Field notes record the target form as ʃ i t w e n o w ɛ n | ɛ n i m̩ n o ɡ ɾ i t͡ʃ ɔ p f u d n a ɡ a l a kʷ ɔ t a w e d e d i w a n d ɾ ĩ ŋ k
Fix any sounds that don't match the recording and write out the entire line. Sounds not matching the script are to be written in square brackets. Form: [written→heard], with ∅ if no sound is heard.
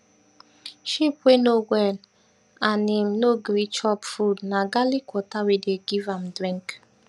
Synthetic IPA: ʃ i [t→p] w e n o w ɛ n | [ɛ→a] n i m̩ n o ɡ ɾ i t͡ʃ ɔ p f u d n a ɡ a l [a→i] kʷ ɔ t a w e d e [d→ɡ] i [w→v] a [n→m] d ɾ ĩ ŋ k